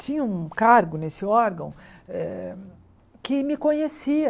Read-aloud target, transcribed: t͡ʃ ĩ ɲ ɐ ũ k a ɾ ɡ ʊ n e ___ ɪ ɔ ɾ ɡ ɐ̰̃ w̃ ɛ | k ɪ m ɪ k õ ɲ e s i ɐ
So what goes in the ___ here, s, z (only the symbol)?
s